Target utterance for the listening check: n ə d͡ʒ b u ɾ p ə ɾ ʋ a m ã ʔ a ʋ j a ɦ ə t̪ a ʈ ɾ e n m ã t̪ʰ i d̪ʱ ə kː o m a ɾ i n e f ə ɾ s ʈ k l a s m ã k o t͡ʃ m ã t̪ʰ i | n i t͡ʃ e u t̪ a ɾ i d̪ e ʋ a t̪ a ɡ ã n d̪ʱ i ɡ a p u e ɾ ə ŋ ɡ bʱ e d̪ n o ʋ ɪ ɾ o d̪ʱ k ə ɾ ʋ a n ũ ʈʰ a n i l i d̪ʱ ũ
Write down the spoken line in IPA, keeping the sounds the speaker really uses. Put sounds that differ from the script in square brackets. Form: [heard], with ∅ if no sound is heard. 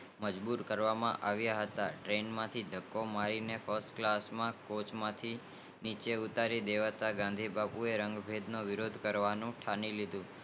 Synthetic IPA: [m] ə d͡ʒ b u ɾ [k] ə ɾ ʋ a m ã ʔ a ʋ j a ɦ ə t̪ a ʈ ɾ e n m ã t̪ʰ i d̪ʱ ə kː o m a ɾ i n e f ə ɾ s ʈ k l a s m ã k o t͡ʃ m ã t̪ʰ i | n i t͡ʃ e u t̪ a ɾ i d̪ e ʋ a t̪ a ɡ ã n d̪ʱ i [b] a p u e ɾ ə ŋ ɡ bʱ e d̪ n o ʋ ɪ ɾ o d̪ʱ k ə ɾ ʋ a n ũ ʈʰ a n i l i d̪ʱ ũ